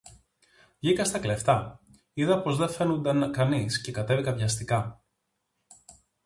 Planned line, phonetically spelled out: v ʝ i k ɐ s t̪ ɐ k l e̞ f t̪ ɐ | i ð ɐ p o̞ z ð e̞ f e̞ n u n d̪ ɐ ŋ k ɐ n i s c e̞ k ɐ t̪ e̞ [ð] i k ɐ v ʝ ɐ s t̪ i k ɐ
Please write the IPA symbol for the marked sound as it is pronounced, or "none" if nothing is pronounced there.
v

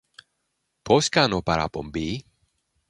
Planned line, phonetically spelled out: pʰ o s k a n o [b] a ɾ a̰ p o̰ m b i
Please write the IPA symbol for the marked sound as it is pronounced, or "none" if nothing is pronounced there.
p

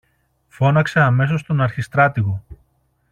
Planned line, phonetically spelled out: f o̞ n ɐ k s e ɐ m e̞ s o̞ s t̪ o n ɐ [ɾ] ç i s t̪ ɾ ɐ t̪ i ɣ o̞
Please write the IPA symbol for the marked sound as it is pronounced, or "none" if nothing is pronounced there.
ɾ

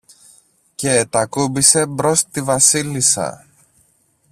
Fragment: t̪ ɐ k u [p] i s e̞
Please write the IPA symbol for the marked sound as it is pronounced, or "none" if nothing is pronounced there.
b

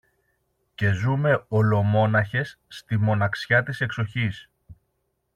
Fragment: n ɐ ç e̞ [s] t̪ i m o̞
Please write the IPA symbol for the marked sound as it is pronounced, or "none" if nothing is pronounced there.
sː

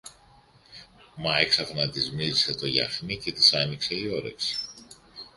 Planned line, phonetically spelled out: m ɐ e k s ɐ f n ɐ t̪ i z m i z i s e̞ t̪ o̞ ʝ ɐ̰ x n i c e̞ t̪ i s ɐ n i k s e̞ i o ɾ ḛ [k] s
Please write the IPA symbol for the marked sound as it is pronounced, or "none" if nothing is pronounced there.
k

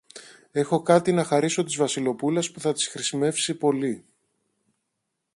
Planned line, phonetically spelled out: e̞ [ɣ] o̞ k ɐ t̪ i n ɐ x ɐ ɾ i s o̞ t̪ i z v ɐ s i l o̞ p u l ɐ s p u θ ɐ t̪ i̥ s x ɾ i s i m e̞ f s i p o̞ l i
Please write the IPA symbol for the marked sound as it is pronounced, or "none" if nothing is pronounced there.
x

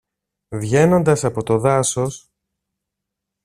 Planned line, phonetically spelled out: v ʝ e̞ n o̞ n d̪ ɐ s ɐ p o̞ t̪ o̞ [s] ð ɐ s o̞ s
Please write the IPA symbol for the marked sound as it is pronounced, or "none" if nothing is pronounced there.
none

